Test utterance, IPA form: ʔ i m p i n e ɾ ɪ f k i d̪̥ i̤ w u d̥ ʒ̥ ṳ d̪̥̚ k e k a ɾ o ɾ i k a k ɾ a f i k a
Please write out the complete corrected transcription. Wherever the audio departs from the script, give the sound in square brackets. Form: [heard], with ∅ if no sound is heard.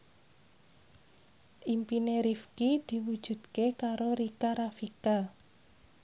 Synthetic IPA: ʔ i m p i n e ɾ [i] f k i d̪̥ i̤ w u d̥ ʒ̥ ṳ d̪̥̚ k e k a ɾ o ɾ i k a [∅] ɾ a f i k a